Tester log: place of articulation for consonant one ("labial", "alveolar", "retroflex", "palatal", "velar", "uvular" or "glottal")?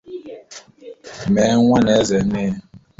labial